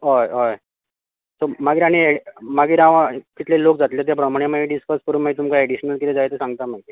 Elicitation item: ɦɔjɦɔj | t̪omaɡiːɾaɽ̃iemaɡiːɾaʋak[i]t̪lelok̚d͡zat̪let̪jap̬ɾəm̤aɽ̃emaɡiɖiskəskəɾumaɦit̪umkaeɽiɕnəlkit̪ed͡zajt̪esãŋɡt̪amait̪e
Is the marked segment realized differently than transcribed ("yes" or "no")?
no